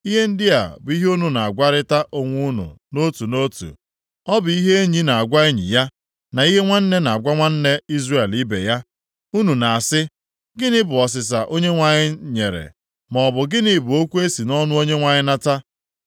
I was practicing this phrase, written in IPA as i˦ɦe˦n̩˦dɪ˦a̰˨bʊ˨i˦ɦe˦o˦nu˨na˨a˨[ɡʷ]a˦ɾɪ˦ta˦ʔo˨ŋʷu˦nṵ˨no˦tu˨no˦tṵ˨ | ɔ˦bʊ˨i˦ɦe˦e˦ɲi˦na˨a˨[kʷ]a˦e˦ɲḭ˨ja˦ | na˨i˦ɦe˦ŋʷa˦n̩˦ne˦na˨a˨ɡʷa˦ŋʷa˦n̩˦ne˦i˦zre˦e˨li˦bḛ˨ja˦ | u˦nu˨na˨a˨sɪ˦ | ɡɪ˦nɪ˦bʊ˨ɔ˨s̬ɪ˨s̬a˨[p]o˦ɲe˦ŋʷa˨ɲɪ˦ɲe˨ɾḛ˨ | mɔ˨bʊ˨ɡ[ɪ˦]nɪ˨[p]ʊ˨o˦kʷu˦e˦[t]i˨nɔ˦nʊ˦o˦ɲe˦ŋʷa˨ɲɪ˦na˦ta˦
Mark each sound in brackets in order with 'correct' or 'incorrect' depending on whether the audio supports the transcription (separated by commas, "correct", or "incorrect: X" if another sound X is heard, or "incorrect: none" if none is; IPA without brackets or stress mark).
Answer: correct, incorrect: ɡʷ, incorrect: ʔ, correct, incorrect: b, incorrect: s